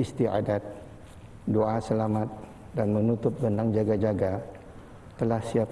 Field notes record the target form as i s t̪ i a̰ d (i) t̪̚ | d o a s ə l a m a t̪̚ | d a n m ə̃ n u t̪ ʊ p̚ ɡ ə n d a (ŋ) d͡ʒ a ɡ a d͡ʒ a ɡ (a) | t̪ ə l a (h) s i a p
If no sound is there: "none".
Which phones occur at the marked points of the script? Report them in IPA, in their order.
a, ŋ, a, h

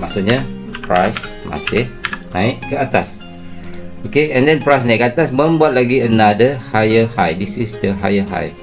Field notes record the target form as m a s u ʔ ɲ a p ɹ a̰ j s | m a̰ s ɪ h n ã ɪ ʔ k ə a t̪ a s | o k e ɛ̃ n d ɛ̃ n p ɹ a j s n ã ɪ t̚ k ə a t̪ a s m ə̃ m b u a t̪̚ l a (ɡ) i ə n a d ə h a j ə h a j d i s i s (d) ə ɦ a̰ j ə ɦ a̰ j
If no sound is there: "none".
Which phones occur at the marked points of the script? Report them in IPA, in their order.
ɡ, d

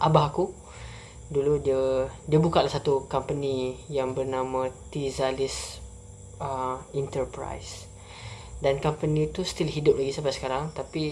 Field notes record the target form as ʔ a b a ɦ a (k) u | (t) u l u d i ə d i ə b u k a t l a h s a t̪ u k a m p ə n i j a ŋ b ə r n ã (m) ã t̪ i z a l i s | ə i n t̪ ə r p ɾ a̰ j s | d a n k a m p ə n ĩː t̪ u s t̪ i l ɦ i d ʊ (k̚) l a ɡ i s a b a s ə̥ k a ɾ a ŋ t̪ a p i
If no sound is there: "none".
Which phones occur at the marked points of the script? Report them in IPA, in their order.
k, d, m, p̚

